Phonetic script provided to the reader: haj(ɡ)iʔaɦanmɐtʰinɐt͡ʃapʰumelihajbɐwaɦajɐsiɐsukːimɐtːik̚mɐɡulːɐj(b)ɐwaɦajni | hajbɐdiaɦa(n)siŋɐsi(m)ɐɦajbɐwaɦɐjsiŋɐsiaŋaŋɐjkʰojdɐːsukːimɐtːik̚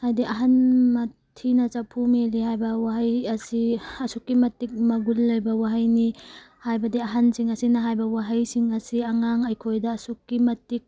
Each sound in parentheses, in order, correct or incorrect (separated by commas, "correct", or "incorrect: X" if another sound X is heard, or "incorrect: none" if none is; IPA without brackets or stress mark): incorrect: d, correct, correct, incorrect: n